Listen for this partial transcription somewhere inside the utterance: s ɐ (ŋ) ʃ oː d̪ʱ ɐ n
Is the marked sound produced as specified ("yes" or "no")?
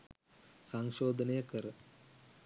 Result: yes